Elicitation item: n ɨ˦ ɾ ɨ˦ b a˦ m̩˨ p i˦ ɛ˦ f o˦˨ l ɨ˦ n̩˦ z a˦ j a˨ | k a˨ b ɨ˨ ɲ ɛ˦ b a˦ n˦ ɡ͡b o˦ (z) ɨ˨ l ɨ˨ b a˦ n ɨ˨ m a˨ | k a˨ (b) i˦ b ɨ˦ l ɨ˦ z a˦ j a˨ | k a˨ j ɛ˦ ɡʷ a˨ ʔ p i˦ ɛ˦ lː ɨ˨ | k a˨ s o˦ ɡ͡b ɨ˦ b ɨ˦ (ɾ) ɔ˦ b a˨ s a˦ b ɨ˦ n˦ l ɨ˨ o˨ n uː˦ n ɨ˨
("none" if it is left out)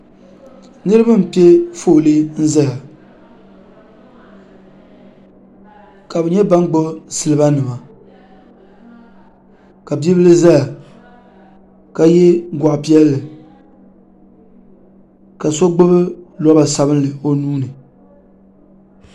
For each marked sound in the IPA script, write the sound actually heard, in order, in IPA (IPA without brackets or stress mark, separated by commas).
s, b, l